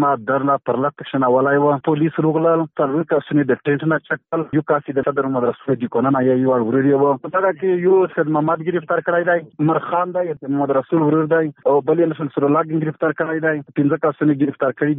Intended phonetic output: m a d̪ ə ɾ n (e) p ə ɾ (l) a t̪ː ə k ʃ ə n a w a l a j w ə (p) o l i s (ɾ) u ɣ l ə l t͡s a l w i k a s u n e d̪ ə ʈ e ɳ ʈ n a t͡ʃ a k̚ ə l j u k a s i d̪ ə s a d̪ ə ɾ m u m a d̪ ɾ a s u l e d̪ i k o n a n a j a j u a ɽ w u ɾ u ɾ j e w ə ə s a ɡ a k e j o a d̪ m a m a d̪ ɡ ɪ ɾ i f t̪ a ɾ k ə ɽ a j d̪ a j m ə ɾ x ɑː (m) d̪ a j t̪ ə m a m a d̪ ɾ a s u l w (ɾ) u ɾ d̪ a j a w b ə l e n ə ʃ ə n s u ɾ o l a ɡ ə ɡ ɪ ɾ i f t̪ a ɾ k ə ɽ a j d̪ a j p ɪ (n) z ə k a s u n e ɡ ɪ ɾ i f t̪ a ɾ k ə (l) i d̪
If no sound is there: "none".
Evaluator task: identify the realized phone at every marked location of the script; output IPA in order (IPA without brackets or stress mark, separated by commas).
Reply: a, l, p, ɾ, n, ɾ, n, ɽ